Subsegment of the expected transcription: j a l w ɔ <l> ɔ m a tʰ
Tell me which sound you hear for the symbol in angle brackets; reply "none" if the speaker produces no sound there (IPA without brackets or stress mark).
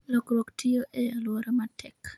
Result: ɾ